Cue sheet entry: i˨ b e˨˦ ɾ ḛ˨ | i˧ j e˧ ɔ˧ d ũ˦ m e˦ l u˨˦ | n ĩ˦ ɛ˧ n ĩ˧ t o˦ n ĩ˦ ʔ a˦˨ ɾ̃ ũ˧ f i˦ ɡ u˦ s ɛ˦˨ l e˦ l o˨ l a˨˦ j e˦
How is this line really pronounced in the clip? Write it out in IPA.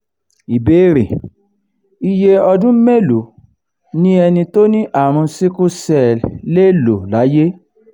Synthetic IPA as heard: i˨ b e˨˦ ɾ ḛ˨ | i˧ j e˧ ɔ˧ d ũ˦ m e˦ l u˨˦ | n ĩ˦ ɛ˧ n ĩ˧ t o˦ n ĩ˦ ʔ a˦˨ ɾ̃ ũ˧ s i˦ k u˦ s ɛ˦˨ l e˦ l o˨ l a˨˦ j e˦